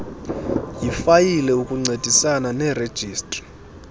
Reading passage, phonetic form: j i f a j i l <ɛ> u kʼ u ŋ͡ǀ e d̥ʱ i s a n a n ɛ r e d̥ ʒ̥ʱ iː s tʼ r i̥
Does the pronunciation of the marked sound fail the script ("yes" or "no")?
no